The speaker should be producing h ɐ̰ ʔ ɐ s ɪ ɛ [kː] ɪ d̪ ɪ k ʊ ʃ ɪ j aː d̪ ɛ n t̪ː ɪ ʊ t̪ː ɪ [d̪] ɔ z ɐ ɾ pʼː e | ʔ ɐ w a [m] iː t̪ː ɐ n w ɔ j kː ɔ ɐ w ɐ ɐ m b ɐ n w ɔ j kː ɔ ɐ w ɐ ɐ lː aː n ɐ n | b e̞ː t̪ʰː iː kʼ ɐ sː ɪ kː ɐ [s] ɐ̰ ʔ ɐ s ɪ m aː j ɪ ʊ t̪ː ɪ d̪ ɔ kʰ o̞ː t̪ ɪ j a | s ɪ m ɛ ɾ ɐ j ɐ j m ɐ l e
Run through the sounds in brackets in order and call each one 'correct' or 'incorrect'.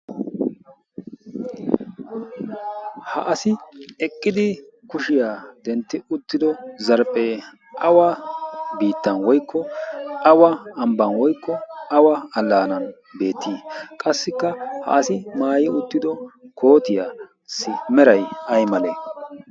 incorrect, correct, incorrect, incorrect

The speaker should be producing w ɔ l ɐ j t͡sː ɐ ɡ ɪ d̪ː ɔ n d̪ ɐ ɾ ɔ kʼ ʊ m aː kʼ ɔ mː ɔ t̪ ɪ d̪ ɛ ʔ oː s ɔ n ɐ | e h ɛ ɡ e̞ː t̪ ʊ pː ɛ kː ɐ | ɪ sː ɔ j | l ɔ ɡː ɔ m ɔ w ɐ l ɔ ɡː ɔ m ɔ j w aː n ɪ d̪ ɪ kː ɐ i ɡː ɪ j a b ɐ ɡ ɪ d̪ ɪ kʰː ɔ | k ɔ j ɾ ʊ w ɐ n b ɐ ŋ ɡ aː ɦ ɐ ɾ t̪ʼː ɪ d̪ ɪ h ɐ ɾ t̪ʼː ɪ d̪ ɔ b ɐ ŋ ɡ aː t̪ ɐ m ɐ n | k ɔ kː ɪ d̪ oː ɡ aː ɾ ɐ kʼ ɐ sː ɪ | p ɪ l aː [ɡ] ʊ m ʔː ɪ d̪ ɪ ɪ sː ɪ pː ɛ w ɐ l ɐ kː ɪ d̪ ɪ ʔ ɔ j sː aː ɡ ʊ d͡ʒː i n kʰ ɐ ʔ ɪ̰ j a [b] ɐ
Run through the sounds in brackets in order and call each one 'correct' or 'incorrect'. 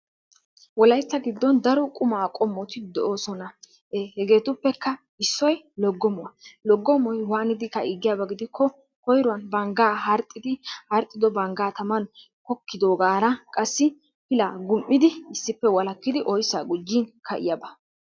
correct, correct

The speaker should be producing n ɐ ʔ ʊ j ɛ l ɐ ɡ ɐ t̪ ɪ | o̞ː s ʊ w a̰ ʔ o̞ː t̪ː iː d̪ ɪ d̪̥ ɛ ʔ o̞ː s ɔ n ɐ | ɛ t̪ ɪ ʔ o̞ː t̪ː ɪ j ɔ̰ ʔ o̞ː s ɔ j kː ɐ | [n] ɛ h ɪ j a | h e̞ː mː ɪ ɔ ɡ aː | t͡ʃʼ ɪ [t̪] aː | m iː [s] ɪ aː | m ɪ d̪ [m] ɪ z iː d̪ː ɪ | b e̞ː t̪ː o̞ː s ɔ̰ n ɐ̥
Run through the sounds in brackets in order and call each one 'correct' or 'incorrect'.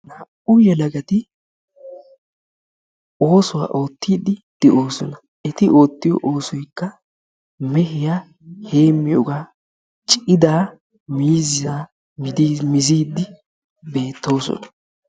incorrect, incorrect, incorrect, correct

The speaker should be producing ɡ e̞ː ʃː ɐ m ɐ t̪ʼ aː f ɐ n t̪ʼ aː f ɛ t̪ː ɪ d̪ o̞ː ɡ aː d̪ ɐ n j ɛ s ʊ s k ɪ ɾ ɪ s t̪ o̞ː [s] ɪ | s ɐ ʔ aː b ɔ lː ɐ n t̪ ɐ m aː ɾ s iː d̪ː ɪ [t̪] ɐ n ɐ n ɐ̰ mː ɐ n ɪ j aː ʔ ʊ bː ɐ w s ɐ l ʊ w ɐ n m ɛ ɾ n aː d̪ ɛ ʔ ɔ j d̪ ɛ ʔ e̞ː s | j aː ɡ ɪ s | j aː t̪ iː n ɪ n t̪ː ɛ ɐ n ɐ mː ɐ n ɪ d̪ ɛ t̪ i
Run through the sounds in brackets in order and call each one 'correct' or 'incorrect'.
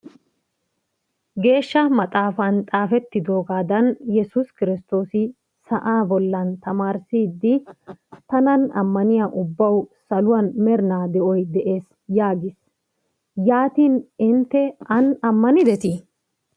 correct, correct

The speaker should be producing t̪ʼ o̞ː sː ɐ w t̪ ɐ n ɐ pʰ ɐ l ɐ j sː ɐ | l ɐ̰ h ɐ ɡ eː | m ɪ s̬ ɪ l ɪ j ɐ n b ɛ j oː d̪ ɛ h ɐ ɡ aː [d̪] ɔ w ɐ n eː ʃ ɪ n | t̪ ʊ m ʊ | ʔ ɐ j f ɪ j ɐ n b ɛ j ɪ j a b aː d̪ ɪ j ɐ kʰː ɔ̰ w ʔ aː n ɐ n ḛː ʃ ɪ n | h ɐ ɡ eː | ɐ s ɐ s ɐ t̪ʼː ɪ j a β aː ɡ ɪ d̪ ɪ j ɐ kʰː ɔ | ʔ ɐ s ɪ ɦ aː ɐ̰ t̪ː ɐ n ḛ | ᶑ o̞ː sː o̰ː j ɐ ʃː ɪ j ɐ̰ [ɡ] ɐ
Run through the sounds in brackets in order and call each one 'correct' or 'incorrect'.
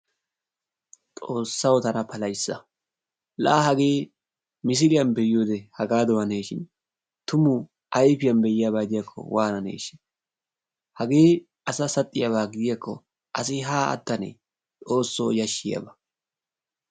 correct, incorrect

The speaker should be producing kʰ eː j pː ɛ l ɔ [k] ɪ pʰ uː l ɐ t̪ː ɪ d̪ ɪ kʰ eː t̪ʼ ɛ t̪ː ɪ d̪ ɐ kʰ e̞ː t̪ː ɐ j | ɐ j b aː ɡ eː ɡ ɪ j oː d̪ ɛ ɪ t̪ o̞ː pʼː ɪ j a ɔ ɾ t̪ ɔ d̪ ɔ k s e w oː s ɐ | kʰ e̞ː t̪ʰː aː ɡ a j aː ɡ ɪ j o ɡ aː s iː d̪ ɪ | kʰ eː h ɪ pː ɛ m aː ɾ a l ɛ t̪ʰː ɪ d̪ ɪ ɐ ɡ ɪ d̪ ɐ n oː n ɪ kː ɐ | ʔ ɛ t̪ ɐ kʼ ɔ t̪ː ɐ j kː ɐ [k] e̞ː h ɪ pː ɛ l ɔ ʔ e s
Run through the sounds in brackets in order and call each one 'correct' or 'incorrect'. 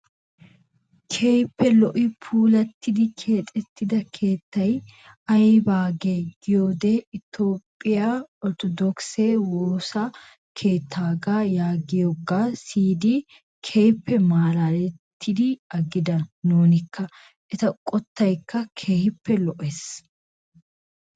incorrect, incorrect

